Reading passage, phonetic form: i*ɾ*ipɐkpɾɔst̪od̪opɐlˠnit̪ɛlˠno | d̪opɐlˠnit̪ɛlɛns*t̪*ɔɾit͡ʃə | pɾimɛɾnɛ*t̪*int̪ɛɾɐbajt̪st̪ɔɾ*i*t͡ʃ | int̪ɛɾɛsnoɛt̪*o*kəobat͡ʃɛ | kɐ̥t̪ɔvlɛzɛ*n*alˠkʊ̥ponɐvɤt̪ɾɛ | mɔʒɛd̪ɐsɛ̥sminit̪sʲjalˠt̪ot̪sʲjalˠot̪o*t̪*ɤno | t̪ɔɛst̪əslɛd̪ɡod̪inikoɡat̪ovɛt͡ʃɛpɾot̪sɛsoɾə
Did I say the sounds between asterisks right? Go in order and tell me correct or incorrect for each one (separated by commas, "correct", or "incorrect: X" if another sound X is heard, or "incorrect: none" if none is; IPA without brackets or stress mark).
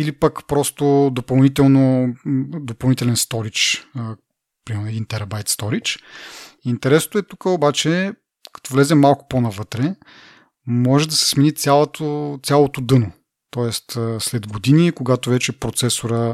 incorrect: l, correct, incorrect: d̪, correct, incorrect: u, incorrect: m, incorrect: d̪